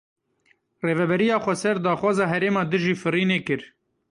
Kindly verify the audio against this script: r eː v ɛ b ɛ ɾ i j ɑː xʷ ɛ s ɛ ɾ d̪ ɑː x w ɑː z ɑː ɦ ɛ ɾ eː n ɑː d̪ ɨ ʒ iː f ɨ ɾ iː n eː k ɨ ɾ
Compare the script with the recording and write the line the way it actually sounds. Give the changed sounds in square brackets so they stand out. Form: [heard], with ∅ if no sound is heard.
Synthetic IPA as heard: r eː v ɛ b ɛ ɾ i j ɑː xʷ ɛ s ɛ ɾ d̪ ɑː x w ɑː z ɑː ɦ ɛ ɾ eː [m] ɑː d̪ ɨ ʒ iː f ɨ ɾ iː n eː k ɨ ɾ